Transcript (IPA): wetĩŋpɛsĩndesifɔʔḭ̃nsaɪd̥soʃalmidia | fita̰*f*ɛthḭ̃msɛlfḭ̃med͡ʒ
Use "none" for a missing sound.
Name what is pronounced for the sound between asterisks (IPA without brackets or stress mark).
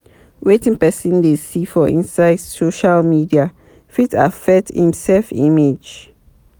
f